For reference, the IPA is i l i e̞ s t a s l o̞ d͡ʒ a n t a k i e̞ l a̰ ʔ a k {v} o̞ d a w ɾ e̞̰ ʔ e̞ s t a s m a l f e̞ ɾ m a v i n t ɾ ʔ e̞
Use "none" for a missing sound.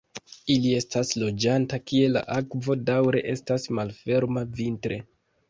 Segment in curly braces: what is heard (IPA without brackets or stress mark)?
v